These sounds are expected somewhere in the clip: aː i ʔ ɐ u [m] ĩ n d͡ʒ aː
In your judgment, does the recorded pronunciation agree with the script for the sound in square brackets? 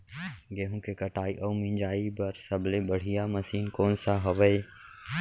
yes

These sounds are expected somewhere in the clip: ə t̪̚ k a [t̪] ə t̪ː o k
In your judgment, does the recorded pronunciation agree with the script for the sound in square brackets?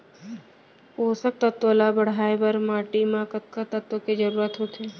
yes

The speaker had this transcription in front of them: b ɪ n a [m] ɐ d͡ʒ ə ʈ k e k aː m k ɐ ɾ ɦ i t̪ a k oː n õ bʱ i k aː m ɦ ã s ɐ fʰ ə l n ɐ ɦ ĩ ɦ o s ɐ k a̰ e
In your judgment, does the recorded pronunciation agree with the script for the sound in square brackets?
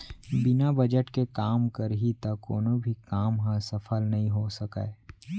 no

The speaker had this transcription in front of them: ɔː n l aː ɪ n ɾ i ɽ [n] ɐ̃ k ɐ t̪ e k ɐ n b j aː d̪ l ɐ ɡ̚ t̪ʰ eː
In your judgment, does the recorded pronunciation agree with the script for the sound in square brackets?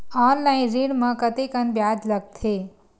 no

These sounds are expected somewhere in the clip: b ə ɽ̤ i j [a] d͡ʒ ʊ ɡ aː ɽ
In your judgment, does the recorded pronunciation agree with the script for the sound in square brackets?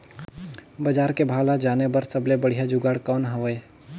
yes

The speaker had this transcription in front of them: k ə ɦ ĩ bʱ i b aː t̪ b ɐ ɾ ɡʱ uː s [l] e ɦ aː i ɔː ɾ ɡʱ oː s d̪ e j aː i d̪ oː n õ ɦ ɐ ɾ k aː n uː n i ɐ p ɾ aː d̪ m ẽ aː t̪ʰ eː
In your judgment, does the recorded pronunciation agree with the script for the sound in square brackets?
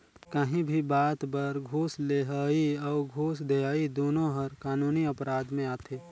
yes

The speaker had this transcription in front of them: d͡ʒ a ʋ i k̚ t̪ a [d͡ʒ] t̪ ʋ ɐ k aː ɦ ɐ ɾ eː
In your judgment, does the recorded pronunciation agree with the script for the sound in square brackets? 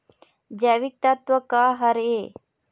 no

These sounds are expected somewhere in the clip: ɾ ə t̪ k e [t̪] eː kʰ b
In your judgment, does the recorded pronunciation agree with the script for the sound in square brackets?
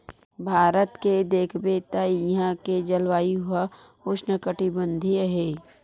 no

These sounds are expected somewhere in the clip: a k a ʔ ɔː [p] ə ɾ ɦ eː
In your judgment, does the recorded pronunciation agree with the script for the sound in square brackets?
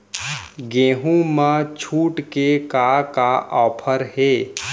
no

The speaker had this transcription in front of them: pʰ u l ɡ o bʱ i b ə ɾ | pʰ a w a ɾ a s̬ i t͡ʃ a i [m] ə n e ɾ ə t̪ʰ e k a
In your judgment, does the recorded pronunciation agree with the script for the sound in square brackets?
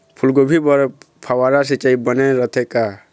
no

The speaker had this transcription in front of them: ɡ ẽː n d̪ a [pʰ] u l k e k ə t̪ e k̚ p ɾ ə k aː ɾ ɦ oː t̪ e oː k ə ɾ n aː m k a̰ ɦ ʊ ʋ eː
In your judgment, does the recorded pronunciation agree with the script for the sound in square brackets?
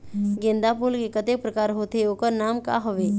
no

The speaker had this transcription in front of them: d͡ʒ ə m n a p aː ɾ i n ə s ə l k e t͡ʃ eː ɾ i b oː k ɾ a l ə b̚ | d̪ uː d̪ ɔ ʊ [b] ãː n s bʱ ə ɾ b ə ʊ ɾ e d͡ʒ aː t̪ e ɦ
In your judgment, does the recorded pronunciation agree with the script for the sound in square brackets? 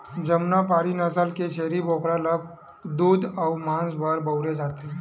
no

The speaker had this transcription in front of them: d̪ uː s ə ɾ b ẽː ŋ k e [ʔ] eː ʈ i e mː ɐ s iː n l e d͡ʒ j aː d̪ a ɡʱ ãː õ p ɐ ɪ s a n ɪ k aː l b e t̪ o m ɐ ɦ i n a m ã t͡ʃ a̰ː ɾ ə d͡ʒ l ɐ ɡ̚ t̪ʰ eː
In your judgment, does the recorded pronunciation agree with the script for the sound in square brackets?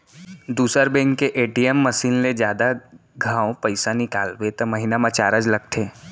yes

